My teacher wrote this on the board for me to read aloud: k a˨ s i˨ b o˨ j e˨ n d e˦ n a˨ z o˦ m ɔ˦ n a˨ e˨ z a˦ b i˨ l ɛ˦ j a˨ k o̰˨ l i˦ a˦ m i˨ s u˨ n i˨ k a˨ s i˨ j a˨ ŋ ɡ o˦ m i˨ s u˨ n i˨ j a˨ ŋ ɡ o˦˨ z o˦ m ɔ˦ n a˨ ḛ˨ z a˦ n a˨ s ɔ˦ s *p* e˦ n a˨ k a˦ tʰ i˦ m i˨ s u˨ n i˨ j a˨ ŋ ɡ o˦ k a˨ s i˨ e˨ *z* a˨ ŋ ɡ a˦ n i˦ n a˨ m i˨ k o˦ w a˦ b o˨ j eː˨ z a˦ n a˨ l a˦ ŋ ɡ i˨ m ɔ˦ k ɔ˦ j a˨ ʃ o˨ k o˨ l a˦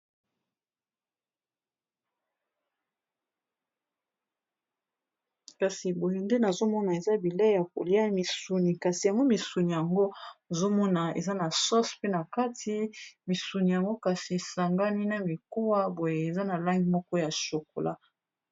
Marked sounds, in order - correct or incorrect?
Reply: correct, incorrect

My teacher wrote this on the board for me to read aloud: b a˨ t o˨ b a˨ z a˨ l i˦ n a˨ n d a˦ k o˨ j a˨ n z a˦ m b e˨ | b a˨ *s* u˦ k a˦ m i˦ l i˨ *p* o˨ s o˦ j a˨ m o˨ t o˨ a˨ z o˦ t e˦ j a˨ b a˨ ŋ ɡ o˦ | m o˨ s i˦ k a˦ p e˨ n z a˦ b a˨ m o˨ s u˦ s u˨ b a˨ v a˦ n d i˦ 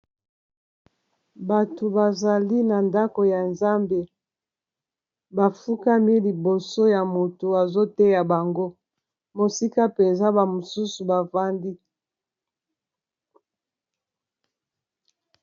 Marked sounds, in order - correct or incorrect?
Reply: incorrect, incorrect

